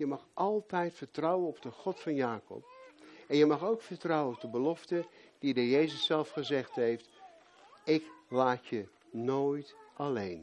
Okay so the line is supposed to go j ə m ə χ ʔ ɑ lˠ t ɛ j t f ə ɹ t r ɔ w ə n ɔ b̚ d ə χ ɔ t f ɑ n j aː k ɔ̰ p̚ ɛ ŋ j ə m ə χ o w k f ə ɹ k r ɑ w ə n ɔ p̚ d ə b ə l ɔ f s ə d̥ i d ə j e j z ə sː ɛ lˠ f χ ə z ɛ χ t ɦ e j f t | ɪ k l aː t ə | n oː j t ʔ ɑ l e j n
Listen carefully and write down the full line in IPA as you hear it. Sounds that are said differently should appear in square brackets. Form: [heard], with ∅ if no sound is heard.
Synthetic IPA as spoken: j ə m [ɑ] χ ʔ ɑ lˠ t ɛ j t f ə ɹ t r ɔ w ə n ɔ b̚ d ə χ ɔ t f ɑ n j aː k ɔ̰ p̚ ɛ [n] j ə m [ɑ] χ o w k f ə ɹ [t] r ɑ w ə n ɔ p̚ d ə b ə l ɔ f [t] ə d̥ i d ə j e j z ə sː ɛ lˠ f χ ə z ɛ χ t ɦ e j f t | ɪ k l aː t ə | n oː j t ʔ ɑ l e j n